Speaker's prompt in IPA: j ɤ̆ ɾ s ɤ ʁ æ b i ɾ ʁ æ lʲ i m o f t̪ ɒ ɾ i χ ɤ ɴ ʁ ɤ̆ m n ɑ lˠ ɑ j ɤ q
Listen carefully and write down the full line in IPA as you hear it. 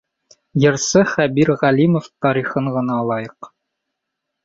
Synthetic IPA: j ɤ̆ ɾ s ɤ χ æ b i ɾ ʁ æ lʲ i m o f t̪ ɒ ɾ i χ ɤ ɴ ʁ ɤ̆ n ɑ lˠ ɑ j ɤ q